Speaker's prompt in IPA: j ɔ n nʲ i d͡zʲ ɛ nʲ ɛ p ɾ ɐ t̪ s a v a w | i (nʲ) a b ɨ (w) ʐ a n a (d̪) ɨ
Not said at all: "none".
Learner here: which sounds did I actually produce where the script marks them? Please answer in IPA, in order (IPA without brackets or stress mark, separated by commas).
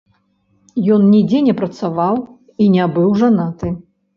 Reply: nʲ, w, t̪